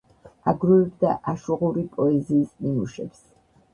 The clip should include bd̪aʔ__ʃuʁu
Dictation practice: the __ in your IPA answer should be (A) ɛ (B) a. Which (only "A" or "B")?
B